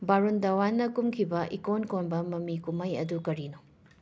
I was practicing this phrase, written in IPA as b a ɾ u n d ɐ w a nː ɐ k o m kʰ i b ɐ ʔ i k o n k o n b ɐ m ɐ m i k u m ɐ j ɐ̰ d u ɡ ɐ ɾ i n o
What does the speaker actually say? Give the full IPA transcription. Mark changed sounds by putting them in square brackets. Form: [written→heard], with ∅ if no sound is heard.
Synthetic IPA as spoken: b a ɾ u n d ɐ w a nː ɐ k [o→u] m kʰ i b ɐ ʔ i k o n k o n b ɐ m ɐ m i k u m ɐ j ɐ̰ d u [ɡ→k] ɐ ɾ i n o